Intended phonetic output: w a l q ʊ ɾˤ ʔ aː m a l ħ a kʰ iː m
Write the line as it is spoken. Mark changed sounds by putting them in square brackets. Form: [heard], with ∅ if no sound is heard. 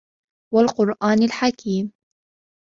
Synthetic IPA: w a l q ʊ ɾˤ ʔ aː [n] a l ħ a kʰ iː m